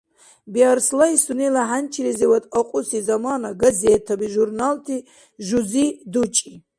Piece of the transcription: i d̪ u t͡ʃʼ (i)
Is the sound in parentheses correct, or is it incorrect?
correct